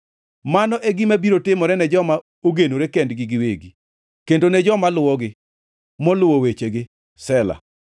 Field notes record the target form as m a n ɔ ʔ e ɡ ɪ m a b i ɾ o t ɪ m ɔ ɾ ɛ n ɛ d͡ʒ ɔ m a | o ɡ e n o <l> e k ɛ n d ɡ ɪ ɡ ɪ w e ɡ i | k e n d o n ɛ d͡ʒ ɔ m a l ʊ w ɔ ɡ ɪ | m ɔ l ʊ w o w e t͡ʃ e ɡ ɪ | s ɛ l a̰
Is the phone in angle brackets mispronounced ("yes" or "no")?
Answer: yes